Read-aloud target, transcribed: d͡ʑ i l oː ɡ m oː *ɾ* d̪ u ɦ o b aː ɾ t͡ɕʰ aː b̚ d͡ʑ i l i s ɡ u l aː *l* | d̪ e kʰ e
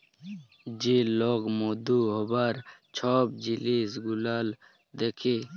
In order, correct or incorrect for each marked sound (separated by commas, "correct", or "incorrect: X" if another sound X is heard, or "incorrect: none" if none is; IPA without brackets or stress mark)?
incorrect: none, correct